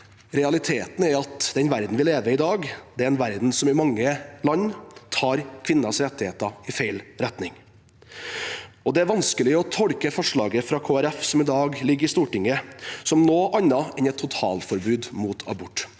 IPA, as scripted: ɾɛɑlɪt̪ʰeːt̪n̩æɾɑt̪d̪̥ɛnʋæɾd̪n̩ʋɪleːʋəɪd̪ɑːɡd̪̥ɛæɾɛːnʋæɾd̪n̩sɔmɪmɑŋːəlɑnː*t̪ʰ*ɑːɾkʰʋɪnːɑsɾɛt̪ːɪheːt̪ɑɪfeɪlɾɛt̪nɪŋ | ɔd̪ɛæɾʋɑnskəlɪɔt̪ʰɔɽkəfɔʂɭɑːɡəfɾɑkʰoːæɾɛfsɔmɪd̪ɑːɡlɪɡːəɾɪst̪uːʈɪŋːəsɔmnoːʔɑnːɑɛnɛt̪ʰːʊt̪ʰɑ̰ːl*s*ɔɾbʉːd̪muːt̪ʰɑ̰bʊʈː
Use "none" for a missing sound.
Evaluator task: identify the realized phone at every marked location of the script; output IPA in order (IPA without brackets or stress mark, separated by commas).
t̪ʰ, f